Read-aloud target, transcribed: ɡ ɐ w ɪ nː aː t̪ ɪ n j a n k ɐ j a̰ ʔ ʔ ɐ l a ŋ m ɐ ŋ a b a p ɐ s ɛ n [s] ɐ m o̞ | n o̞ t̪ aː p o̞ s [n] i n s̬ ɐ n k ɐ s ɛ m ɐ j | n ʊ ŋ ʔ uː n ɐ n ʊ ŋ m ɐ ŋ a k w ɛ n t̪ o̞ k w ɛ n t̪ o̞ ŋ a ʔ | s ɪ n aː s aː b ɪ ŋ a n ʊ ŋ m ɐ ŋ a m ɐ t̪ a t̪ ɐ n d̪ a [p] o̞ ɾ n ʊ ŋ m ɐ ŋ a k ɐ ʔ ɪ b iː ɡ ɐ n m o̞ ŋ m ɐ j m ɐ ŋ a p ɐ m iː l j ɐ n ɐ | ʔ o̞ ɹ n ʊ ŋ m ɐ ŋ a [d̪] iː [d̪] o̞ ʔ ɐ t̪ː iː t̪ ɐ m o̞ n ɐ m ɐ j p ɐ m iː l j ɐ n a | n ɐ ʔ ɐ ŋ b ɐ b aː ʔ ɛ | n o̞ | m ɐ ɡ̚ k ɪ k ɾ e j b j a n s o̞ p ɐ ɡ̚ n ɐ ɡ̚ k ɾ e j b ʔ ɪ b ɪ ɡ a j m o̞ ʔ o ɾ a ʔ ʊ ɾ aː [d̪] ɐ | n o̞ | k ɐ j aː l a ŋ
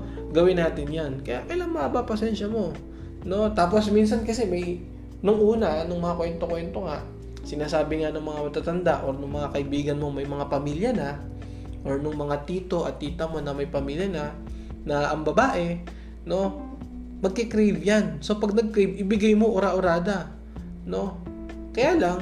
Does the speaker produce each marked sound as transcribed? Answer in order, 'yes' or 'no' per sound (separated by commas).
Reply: no, no, no, no, no, yes